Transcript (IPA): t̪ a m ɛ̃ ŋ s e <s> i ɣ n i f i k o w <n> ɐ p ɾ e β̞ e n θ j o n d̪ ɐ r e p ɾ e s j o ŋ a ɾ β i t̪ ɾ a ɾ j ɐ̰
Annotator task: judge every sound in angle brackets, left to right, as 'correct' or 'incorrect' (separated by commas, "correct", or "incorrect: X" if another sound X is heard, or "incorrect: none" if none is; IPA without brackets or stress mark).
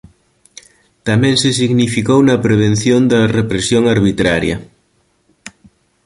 correct, correct